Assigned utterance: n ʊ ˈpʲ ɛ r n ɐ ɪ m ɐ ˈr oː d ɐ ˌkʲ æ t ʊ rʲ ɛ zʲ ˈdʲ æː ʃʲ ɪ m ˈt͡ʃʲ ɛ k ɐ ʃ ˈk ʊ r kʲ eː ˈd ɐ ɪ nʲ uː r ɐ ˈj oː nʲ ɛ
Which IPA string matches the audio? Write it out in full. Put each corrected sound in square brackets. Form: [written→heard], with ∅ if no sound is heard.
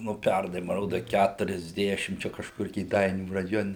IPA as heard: n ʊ ˈpʲ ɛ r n ɐ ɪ m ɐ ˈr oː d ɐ ˌkʲ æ t ʊ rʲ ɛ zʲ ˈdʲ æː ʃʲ ɪ m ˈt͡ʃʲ ɛ k ɐ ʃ ˈk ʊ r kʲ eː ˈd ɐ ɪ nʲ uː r ɐ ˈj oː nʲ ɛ